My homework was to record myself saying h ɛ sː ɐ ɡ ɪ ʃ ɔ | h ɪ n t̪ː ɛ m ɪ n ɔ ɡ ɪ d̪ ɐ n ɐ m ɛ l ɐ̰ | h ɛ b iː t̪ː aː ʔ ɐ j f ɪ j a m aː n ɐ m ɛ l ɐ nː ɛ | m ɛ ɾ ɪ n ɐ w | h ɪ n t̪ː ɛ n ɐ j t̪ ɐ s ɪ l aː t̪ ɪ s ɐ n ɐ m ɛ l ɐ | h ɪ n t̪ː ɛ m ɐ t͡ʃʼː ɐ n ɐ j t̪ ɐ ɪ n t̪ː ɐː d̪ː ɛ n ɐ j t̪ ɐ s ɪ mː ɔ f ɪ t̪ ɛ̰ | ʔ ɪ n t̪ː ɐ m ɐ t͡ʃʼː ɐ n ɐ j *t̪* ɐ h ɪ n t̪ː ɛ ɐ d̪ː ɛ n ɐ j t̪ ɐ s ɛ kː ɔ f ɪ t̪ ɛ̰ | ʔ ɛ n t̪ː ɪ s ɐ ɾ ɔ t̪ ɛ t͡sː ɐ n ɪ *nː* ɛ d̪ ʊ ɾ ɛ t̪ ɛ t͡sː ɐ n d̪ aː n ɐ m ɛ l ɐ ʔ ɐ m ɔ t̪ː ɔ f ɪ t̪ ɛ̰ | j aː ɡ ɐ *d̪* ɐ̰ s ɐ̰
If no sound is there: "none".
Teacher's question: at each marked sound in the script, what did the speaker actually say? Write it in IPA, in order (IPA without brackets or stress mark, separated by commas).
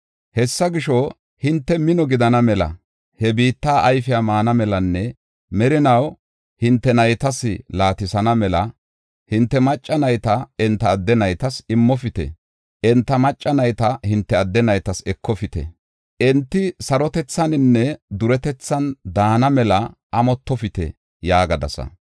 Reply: t̪, nː, d̪